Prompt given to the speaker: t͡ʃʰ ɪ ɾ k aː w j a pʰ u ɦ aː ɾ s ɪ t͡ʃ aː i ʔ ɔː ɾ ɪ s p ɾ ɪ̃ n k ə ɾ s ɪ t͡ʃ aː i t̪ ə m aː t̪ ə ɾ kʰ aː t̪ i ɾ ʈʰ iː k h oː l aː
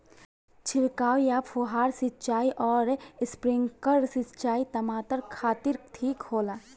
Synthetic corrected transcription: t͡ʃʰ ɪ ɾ k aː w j a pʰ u ɦ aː ɾ s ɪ t͡ʃ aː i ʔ ɔː ɾ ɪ s p ɾ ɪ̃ ŋ k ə ɾ s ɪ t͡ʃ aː i t̪ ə m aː t̪ ə ɾ kʰ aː t̪ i ɾ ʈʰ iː k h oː l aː